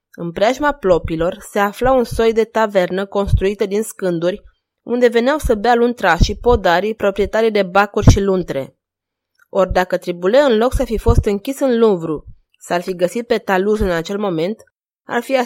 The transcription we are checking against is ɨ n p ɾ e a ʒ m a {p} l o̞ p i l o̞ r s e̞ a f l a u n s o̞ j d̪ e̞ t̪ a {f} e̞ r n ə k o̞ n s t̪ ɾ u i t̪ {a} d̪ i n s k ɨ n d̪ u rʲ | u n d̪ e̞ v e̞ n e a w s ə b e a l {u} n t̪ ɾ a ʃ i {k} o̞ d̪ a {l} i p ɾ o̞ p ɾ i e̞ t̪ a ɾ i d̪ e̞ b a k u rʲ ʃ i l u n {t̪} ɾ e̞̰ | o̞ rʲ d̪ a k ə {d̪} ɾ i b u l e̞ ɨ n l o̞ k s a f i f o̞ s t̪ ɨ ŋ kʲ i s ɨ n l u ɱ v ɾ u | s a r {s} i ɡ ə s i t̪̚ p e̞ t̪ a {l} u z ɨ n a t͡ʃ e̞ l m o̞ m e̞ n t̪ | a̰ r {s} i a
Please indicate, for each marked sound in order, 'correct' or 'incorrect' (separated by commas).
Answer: correct, incorrect, incorrect, correct, incorrect, incorrect, correct, incorrect, incorrect, correct, incorrect